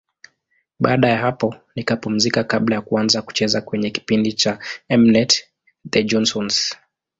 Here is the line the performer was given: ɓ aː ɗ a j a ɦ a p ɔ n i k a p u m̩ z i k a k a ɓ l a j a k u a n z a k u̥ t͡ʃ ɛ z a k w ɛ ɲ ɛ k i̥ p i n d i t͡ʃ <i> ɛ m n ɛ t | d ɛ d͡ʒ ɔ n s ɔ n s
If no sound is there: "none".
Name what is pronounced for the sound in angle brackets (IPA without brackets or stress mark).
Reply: a